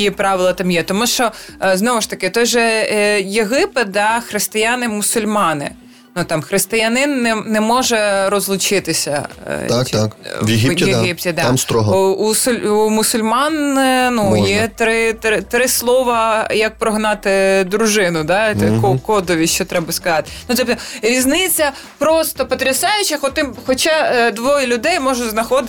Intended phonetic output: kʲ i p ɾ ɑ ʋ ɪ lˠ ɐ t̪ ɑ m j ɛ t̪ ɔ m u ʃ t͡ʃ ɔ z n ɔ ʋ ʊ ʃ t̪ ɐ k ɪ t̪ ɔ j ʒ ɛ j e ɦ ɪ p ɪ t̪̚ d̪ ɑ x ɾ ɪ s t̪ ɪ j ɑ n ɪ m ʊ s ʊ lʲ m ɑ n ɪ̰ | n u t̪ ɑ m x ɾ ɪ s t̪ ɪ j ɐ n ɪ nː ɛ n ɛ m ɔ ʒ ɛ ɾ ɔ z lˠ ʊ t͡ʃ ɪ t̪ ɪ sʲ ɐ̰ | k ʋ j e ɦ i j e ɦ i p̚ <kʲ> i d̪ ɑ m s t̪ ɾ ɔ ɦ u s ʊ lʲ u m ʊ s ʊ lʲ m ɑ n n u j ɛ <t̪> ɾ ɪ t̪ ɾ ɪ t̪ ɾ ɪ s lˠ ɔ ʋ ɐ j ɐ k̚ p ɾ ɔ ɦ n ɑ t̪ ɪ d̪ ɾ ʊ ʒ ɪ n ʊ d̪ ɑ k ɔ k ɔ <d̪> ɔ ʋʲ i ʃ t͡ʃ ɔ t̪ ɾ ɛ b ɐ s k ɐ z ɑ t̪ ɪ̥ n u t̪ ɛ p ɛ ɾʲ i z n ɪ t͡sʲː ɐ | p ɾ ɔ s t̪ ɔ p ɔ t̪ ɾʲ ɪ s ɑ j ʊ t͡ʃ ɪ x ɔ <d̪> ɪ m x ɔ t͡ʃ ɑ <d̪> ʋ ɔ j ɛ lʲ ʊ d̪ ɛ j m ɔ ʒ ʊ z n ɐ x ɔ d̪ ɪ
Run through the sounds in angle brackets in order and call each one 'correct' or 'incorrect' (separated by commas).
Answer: incorrect, correct, correct, incorrect, correct